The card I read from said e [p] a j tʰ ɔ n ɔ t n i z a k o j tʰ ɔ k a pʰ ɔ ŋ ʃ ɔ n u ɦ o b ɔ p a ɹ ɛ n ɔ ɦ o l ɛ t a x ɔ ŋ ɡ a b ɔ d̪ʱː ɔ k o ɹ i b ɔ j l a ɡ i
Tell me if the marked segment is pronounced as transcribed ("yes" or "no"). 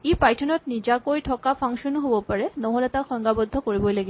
yes